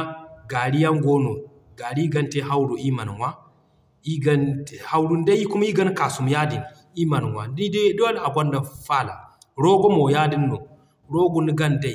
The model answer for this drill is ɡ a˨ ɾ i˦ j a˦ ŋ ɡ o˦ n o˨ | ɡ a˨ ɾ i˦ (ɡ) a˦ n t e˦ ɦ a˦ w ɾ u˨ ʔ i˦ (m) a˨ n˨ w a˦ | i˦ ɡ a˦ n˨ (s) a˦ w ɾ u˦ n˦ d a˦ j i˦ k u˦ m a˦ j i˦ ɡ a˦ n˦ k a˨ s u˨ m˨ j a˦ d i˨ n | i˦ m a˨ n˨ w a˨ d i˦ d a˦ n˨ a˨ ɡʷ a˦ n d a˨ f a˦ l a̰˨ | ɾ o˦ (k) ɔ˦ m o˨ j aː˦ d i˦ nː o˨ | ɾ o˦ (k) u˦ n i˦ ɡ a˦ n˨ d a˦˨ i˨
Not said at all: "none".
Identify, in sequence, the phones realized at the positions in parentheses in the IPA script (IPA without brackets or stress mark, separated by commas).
ɡ, m, h, ɡ, ɡ